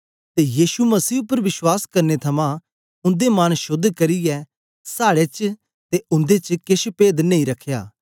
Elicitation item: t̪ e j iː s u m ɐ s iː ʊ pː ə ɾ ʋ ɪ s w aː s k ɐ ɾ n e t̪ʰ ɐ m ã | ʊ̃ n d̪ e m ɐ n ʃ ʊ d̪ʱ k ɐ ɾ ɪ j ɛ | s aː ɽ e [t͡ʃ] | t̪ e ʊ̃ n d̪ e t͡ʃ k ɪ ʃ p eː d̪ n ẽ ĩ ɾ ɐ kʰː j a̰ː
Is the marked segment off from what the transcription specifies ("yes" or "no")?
no